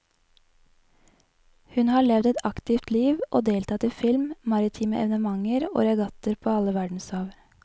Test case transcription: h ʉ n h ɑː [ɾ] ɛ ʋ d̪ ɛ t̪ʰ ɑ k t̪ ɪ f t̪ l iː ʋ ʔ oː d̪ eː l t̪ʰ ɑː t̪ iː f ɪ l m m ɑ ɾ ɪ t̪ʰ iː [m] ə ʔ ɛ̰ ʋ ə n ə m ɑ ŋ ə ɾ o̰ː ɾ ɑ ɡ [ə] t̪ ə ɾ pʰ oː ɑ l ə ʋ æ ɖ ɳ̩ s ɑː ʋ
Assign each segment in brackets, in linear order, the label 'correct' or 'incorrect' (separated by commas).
incorrect, correct, incorrect